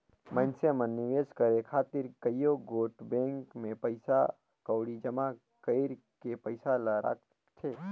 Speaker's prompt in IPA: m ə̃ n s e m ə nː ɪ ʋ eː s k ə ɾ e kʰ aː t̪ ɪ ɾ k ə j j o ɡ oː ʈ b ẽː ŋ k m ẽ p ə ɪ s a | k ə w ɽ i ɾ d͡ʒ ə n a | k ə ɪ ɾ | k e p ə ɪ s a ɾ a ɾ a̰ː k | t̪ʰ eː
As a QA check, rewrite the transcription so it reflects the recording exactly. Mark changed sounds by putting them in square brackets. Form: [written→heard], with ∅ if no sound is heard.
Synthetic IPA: m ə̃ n s e m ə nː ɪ ʋ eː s k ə ɾ e kʰ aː t̪ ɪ ɾ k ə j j o ɡ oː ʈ b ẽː ŋ k m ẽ p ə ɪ s a | k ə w ɽ i [ɾ→∅] d͡ʒ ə [n→m] a | k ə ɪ ɾ | k e p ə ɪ s a [ɾ→l] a ɾ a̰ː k | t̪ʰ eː